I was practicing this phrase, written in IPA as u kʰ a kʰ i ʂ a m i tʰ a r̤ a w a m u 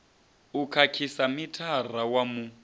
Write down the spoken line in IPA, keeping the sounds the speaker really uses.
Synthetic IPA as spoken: u kʰ a kʰ i s a m i tʰ a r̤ a w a m u